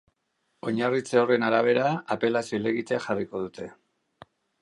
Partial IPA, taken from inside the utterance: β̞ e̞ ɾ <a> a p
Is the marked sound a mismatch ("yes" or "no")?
no